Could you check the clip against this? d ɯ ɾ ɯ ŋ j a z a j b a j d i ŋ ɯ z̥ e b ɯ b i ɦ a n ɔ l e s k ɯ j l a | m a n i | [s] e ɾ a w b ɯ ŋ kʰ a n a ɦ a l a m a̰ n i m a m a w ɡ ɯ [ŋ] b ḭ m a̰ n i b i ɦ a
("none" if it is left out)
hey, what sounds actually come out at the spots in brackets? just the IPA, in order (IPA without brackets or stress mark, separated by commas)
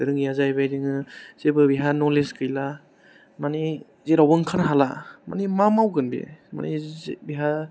z, n